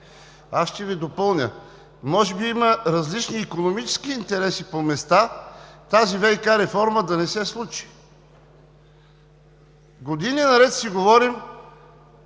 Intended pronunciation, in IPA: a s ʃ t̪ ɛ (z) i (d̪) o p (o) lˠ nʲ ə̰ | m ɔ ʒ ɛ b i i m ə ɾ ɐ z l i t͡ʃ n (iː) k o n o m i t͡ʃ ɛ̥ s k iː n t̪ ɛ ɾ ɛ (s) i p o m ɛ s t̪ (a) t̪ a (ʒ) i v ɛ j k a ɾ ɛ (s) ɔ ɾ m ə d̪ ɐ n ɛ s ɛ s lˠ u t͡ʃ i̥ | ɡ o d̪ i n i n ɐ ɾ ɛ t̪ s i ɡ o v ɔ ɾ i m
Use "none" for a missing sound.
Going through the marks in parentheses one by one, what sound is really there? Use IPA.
v, d̪, ɤ, iː, s, a, z, f

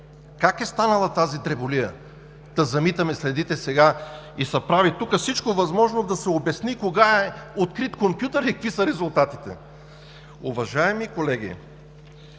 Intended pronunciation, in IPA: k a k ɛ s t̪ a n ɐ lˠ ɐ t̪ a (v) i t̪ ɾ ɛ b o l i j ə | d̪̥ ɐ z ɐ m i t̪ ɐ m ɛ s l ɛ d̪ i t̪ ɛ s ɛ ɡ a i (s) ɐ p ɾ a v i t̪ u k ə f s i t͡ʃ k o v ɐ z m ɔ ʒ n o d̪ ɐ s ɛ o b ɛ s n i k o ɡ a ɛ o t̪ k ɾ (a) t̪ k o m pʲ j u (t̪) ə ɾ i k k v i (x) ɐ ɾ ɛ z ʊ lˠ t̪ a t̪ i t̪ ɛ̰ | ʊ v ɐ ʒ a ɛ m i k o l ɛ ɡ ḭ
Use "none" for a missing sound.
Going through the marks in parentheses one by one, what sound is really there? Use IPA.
z, s, i, t̪, s

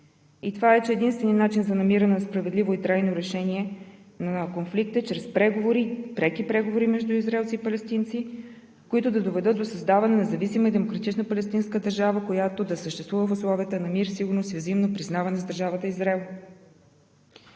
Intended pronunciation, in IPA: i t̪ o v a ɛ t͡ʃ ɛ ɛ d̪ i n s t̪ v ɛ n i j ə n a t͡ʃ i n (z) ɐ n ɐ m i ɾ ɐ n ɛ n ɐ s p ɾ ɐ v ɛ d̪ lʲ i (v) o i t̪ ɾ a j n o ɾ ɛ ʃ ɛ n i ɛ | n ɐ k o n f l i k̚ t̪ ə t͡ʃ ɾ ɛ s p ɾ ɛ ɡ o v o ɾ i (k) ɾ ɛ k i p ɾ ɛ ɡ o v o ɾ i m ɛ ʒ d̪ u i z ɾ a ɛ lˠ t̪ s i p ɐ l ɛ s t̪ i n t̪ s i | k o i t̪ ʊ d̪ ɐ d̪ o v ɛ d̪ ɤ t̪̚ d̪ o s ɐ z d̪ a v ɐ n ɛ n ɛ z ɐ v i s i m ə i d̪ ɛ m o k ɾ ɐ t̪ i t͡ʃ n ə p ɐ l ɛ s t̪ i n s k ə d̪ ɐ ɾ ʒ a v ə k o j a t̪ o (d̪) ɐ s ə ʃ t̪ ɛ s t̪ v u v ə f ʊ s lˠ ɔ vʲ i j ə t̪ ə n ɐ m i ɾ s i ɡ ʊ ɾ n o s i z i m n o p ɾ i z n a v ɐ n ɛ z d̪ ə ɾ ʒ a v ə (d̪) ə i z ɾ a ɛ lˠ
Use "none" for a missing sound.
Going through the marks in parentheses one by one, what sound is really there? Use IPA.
z, v, p, d̪, t̪

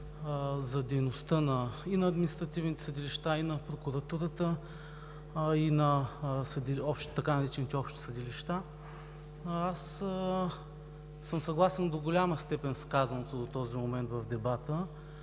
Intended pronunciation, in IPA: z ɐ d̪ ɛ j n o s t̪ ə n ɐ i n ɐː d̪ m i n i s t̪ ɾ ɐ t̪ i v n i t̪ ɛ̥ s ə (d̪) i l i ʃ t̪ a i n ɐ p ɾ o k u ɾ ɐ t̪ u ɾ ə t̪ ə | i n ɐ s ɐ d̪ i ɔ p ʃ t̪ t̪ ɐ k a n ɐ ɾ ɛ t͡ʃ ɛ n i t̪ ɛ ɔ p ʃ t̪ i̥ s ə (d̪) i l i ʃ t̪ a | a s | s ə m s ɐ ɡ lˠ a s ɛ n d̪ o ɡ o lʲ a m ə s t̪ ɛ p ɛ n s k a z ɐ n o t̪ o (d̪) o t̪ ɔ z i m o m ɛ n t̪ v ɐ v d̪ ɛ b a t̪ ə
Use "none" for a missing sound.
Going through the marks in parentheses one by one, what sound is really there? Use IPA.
d̪, d̪, d̪

